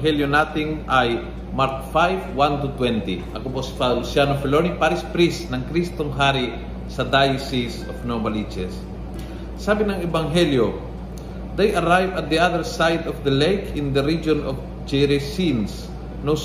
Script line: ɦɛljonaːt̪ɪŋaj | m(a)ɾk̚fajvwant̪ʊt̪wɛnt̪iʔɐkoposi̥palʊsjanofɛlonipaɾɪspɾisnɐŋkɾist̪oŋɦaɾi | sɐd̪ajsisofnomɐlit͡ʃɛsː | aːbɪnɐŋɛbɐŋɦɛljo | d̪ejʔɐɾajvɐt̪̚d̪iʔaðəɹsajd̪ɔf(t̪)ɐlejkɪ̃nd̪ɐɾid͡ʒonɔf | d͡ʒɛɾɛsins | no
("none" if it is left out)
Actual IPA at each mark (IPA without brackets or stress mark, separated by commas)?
a, d̪